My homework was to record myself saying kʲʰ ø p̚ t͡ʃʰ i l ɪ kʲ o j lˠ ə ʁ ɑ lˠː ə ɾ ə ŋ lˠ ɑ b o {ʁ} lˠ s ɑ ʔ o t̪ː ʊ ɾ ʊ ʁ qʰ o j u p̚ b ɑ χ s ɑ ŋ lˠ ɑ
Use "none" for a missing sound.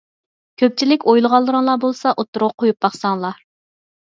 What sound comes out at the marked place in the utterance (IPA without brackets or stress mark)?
none